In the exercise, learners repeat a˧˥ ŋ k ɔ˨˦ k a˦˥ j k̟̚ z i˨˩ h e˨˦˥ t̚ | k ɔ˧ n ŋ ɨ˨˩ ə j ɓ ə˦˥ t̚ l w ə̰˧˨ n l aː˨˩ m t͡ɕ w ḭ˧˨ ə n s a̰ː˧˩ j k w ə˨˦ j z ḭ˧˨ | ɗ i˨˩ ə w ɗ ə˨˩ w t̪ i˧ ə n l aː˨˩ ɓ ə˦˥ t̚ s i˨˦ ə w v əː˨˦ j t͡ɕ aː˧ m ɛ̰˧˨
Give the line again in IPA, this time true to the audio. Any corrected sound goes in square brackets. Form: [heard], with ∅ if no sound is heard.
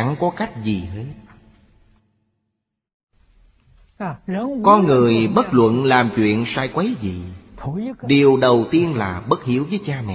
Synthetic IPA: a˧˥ ŋ k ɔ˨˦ k a˦˥ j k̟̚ z i˨˩ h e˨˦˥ t̚ | k ɔ˧ n ŋ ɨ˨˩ ə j ɓ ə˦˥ t̚ l w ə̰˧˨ n l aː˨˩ m t͡ɕ w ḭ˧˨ ə n s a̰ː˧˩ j k w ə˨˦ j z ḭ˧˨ | ɗ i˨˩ ə w ɗ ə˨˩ w t̪ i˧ ə n l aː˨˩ ɓ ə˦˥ t̚ [h] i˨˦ ə w v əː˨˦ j t͡ɕ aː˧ m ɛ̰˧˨